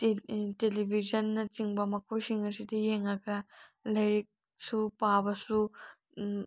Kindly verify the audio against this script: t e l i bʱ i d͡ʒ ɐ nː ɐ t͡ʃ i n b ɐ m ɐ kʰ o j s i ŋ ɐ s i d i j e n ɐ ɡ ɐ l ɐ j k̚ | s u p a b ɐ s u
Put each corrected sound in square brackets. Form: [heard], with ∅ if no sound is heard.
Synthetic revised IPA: t e l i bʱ i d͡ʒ ɐ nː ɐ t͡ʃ i [ŋ] b ɐ m ɐ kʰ o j s i ŋ ɐ s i d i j e [ŋ] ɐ ɡ ɐ l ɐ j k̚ | s u p a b ɐ s u